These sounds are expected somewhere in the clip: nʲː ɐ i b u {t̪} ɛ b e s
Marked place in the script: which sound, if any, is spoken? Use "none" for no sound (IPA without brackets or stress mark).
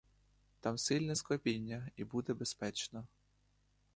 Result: d̪